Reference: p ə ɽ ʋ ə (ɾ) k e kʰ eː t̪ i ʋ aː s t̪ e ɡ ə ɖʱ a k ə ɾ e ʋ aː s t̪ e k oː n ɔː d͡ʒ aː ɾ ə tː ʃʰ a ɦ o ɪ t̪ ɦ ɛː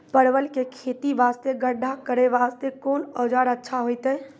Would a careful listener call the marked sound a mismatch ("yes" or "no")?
yes